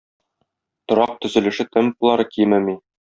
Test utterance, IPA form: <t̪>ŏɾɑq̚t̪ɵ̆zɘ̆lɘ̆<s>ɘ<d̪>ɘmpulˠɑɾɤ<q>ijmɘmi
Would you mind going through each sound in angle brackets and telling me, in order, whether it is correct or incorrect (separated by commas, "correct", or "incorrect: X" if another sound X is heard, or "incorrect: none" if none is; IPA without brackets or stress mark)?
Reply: correct, incorrect: ʃ, incorrect: t̪, incorrect: k